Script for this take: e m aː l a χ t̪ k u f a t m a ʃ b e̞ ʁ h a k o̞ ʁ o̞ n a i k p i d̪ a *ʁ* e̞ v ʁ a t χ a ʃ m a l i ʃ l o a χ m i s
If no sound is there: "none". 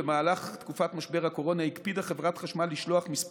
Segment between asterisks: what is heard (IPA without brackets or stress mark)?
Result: χ